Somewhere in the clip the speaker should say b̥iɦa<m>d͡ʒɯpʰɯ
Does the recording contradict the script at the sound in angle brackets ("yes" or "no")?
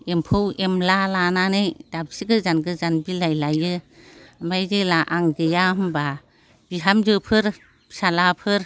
no